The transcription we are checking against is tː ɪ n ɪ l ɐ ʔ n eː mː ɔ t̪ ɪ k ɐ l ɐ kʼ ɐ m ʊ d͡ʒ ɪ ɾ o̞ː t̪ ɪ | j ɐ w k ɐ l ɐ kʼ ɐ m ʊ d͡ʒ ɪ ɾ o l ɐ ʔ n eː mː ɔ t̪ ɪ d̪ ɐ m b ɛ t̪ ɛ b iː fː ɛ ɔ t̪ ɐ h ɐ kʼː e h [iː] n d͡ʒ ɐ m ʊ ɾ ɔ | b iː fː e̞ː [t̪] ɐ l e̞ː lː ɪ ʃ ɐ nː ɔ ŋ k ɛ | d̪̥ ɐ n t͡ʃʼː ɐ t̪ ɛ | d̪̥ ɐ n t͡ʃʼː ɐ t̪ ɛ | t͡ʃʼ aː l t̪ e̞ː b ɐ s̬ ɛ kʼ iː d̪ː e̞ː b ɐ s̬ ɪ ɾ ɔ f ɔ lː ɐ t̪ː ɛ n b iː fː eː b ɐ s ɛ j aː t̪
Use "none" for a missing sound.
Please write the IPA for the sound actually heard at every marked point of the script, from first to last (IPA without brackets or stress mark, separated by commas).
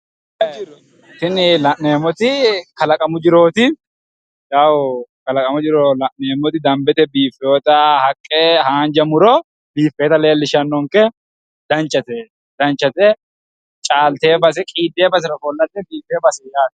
aː, t̪